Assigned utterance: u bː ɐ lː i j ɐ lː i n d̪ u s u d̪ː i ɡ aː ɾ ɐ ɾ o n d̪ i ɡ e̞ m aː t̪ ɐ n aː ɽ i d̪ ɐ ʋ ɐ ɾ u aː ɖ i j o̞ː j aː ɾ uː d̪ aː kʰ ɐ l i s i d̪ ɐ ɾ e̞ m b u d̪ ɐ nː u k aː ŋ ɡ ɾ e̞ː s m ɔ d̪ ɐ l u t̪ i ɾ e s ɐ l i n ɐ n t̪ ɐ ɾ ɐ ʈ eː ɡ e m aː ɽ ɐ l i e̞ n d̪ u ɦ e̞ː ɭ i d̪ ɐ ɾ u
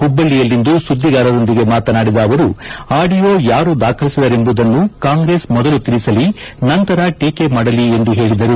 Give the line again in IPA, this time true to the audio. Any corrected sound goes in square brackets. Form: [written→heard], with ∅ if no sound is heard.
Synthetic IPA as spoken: u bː ɐ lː i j ɐ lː i n d̪ u s u d̪ː i ɡ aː ɾ ɐ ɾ o n d̪ i ɡ e̞ m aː t̪ ɐ n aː ɽ i d̪ [ɐ→ɐː] ʋ ɐ ɾ u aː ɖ i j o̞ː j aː ɾ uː d̪ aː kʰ ɐ l i s i d̪ ɐ ɾ e̞ m b u d̪ ɐ nː u k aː ŋ ɡ ɾ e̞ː s m ɔ d̪ ɐ l u t̪ i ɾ [e→i] s ɐ l i n ɐ n t̪ ɐ ɾ ɐ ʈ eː [ɡ→k] e m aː ɽ ɐ l i e̞ n d̪ u ɦ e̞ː ɭ i d̪ ɐ ɾ u